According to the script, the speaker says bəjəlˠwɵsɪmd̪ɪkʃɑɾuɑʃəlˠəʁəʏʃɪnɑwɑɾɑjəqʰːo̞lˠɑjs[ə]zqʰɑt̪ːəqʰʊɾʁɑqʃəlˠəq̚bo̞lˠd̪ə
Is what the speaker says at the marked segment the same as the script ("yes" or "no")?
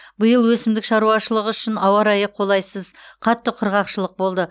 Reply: yes